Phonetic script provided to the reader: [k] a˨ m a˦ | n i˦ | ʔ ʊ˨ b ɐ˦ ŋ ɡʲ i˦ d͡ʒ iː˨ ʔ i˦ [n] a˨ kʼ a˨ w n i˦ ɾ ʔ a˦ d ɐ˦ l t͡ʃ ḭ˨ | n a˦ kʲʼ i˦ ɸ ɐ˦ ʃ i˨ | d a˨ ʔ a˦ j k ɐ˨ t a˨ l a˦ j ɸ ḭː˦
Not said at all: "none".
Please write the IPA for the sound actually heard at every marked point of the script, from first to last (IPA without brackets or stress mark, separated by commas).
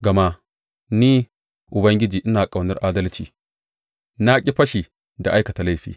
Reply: ɡ, n